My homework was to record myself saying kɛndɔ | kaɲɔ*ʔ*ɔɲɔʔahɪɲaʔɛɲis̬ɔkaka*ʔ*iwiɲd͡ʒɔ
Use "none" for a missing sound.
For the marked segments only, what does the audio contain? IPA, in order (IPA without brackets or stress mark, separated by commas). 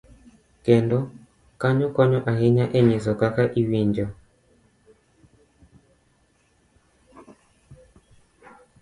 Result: k, ʔ